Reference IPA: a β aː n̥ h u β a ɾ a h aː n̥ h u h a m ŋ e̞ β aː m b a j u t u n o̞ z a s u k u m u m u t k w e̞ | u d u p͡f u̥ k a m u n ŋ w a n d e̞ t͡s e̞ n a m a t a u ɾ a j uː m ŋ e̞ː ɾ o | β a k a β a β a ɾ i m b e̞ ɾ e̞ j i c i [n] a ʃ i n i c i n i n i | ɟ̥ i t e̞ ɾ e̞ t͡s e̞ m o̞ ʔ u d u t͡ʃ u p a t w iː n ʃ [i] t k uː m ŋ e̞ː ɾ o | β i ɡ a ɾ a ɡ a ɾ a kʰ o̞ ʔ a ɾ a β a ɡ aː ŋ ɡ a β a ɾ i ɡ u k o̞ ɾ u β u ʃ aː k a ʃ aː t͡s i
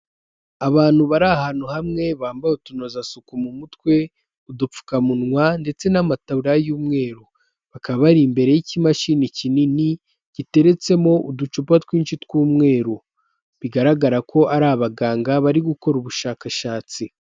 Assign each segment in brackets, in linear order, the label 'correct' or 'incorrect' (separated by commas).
incorrect, correct